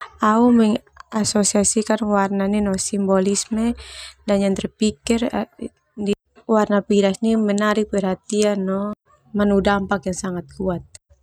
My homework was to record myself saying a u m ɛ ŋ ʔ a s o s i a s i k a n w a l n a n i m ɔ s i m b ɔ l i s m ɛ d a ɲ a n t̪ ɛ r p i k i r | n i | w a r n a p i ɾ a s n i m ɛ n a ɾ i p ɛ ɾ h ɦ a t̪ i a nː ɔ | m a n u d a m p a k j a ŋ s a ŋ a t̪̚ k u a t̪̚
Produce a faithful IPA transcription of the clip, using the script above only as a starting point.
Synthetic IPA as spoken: a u m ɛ ŋ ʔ a s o s i a s i k a n w a r n a n i n ɔ s i m b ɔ l i s m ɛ d a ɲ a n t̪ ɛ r p i k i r | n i | w a r n a p i ɾ a s n i m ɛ n a ɾ i p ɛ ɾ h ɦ a t̪ i a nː ɔ | m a n u d a m p a k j a ŋ s a ŋ a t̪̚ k u a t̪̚